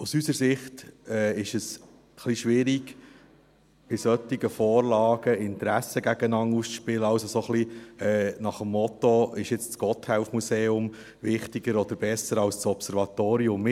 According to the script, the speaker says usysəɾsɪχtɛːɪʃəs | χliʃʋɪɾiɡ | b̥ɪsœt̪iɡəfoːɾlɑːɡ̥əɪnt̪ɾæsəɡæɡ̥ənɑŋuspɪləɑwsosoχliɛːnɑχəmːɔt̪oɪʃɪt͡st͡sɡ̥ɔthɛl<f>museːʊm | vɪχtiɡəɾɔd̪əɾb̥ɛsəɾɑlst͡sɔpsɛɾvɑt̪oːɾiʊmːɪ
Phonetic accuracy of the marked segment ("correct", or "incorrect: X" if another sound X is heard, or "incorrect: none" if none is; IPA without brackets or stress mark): correct